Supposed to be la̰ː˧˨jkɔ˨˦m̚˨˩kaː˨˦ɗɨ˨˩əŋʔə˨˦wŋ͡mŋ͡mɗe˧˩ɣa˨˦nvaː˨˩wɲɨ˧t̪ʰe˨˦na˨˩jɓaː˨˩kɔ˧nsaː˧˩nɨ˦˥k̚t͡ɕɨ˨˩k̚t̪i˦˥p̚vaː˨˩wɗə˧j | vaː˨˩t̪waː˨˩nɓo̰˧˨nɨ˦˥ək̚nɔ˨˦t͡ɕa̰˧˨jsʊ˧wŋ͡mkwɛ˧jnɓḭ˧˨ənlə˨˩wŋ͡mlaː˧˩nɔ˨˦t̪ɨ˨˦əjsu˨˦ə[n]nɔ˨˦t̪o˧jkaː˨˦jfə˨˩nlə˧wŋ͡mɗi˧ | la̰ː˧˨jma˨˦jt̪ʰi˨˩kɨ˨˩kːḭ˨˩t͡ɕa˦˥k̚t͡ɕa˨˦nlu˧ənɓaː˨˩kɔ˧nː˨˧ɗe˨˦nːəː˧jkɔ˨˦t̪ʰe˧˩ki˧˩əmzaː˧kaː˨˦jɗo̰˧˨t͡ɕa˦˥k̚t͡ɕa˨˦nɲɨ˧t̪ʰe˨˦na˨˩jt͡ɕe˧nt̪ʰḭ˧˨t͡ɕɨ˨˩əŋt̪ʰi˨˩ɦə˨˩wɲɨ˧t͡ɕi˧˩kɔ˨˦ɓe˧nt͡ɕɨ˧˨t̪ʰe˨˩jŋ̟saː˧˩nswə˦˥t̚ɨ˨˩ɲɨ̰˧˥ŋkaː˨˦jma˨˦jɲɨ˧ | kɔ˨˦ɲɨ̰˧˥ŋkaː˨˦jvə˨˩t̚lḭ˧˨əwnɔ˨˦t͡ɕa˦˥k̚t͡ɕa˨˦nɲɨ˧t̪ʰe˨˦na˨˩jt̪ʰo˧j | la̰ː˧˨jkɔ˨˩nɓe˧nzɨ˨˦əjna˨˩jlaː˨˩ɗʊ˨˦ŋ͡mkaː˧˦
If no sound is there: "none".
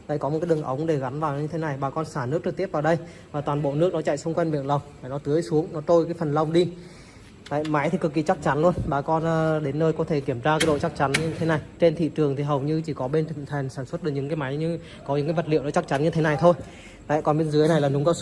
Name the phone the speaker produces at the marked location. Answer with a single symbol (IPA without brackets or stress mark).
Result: ŋ